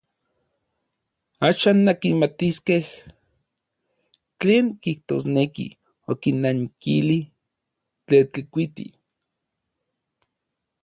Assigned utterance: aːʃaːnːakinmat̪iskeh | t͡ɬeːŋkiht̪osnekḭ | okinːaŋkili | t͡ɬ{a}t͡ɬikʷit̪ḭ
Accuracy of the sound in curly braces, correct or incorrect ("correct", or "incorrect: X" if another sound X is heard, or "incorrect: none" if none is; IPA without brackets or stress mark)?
incorrect: e